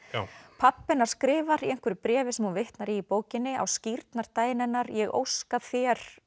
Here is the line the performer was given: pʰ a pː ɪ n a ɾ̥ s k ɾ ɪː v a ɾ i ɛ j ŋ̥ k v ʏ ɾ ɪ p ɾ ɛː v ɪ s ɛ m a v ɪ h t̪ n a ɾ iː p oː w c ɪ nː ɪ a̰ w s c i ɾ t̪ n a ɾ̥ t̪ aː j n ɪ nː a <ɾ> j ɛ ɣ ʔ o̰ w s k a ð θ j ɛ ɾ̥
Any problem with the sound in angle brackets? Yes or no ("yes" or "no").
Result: no